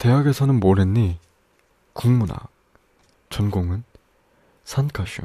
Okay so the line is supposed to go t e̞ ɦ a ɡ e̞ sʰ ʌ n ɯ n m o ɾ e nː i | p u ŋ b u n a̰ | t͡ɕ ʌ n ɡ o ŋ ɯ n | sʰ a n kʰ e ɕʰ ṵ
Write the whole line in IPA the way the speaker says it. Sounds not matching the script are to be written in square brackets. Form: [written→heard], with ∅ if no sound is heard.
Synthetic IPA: t e̞ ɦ a ɡ e̞ sʰ ʌ n ɯ n m o ɾ e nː i | [p→k] u ŋ [b→m] u n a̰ | t͡ɕ ʌ n ɡ o ŋ ɯ n | sʰ a n kʰ [e→a] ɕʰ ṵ